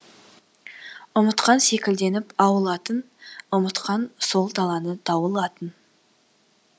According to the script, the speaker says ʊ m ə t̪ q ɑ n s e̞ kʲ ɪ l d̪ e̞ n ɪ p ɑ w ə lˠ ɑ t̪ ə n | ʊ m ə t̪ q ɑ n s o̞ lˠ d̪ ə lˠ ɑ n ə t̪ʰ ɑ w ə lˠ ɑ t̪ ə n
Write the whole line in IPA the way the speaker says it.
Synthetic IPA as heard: ʊ m ə t̪ q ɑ n s e̞ kʲ ɪ l d̪ e̞ n ɪ p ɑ w ə lˠ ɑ t̪ ə n | ʊ m ə t̪ q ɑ n s o̞ lˠ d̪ ɑ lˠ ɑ n ə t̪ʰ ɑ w ə lˠ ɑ t̪ ə n